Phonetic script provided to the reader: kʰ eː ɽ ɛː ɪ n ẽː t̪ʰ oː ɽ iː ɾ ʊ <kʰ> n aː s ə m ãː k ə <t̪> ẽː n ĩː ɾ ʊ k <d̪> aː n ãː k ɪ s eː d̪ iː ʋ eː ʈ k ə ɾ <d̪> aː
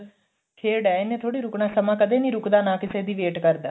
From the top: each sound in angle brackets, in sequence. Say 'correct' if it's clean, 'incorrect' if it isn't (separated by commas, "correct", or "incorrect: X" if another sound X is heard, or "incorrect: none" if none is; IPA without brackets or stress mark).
incorrect: k, incorrect: d̪, correct, correct